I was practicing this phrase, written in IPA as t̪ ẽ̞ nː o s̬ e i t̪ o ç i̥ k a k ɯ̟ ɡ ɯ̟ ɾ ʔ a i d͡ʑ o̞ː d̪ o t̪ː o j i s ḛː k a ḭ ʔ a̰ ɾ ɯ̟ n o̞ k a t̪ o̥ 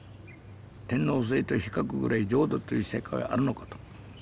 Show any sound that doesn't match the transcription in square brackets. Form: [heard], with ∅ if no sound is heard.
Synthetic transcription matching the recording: t̪ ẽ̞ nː o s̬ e i t̪ o ç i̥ k a k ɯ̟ ɡ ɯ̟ ɾ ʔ a i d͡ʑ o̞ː d̪ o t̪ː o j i s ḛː k a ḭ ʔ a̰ ɾ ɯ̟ n o̞ k a t̪ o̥